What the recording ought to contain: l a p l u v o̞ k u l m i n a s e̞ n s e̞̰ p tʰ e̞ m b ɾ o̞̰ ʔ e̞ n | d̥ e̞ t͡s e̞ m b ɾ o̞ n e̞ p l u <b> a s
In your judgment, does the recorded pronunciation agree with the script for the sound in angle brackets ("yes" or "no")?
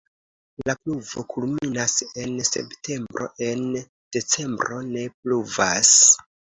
no